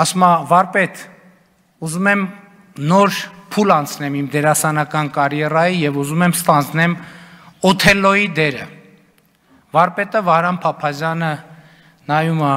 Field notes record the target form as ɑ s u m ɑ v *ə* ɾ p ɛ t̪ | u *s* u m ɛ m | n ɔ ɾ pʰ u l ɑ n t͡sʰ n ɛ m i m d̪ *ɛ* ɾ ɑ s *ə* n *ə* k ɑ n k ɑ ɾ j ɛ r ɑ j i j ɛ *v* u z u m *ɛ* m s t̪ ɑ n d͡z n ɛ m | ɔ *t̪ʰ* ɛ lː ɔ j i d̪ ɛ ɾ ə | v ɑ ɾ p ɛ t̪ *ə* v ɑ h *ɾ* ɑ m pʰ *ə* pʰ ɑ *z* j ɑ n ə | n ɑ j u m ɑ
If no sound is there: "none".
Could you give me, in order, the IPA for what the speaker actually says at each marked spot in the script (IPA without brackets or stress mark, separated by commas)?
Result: ɑ, z, ɛ, ɑ, ɑ, v, ɛ, t̪ʰ, ə, ɾ, ɑ, z